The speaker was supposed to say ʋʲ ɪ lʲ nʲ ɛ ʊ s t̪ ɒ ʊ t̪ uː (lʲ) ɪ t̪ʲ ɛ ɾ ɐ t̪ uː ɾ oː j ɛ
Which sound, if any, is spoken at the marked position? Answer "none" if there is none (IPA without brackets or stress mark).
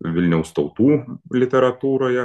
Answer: lʲ